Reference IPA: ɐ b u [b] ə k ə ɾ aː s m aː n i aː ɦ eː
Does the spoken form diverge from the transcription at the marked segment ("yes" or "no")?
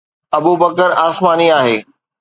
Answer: no